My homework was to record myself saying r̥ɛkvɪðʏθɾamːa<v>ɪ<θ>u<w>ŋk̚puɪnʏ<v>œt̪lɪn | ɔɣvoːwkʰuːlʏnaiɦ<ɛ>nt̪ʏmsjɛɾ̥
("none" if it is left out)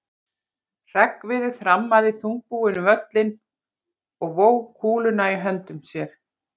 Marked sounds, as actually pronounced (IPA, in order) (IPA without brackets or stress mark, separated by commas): ð, θ, none, v, œ